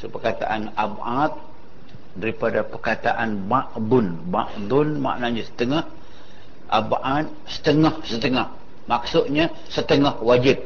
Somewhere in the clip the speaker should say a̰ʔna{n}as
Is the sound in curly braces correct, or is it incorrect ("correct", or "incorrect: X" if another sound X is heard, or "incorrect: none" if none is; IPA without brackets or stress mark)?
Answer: incorrect: ɲ